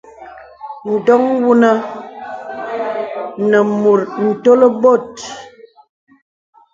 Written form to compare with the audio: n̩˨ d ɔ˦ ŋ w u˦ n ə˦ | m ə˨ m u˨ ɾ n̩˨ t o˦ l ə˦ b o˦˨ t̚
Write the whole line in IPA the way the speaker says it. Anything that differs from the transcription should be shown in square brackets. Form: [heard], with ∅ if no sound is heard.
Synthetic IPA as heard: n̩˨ d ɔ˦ ŋ w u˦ n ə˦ | [n] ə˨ m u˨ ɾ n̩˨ t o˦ l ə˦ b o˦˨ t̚